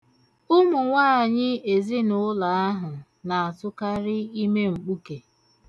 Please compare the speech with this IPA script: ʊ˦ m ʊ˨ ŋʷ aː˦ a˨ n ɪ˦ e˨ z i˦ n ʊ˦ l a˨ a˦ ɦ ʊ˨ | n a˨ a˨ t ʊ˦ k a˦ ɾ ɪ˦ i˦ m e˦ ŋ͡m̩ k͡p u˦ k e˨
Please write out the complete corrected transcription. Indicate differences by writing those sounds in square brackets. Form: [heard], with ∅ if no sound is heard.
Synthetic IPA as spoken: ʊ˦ m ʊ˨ ŋʷ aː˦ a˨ [ɲ] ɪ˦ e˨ z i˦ n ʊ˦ l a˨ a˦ ɦ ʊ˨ | n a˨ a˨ t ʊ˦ k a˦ ɾ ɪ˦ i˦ m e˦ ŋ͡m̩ k͡p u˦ k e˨